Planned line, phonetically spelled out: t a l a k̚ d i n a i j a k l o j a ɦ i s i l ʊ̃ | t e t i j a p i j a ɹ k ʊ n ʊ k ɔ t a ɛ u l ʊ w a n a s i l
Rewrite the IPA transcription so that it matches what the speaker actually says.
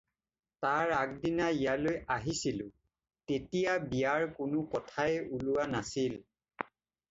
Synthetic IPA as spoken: t a ɹ a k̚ d i n a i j a l o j a ɦ i s i l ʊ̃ | t e t i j a b i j a ɹ k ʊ n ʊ k ɔ tʰ a ɛ u l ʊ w a n a s i l